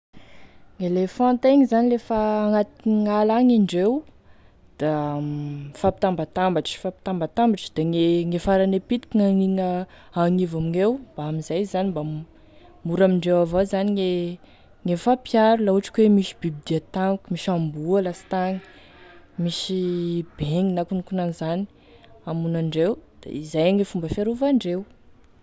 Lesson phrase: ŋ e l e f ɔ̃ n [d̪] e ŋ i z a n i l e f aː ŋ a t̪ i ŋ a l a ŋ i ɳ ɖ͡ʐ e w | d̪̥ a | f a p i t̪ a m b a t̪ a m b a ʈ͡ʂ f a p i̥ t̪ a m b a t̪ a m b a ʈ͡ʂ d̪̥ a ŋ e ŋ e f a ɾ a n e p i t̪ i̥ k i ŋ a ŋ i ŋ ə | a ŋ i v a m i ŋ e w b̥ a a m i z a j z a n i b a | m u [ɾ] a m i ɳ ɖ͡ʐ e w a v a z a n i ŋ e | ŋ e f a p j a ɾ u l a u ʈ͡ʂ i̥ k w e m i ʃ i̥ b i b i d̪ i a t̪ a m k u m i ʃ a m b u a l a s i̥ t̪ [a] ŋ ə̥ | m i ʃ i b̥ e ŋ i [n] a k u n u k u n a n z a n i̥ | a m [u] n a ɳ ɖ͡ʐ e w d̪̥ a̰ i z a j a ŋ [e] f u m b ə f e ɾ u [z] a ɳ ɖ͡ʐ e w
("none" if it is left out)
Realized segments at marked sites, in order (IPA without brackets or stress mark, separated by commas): t̪, ɾ, a, n, u, e, v